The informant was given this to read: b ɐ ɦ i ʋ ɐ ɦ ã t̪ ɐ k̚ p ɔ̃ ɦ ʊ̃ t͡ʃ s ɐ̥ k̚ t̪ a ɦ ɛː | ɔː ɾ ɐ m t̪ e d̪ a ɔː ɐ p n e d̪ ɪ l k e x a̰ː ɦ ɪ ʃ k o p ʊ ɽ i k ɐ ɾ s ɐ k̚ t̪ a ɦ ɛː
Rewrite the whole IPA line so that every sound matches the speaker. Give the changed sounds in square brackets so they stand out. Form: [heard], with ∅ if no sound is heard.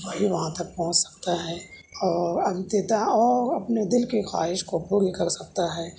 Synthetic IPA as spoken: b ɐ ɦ i ʋ ɐ ɦ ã t̪ ɐ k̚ p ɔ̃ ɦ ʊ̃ t͡ʃ s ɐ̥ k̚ t̪ a ɦ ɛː | ɔː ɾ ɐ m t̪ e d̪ a ɔː ɐ p n e d̪ ɪ l k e x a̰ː ɦ ɪ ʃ k o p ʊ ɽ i k ɐ ɾ s ɐ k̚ t̪ a ɦ ɛː